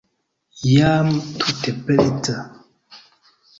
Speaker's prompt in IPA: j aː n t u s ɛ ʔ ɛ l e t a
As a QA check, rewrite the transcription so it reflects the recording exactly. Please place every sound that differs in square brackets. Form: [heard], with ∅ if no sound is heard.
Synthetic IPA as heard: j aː [m] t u [t] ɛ [p] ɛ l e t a